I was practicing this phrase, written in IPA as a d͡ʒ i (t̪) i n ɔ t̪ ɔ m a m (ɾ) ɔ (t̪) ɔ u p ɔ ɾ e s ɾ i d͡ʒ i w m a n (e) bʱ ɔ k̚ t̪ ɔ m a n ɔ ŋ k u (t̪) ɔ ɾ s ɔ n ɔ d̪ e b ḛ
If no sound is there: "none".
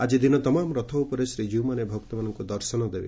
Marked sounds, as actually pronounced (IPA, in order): d̪, ɾ, t̪ʰ, e, d̪

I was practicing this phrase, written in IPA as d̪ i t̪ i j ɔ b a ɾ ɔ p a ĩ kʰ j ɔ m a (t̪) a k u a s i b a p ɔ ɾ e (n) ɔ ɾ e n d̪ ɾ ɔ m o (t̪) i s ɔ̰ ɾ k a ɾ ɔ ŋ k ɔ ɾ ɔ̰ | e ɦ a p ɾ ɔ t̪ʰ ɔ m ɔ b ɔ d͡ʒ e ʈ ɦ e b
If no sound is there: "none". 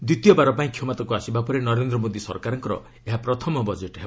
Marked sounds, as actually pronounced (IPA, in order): t̪, n, d̪

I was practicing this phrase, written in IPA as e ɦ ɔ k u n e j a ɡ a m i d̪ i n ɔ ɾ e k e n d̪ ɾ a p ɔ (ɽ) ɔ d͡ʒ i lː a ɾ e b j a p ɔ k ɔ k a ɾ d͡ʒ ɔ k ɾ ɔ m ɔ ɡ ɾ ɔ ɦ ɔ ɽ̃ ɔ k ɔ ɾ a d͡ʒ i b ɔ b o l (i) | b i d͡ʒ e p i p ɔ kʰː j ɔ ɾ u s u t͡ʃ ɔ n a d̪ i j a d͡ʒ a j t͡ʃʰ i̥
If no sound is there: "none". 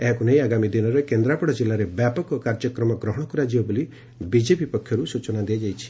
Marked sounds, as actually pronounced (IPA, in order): ɽ, i

